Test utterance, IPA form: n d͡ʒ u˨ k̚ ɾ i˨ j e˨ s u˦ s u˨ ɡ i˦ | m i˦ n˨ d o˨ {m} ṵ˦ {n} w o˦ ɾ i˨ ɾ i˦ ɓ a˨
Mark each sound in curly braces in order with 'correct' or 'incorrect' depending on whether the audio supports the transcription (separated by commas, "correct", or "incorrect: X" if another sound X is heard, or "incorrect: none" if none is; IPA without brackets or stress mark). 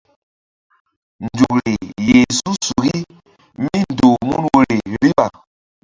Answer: correct, correct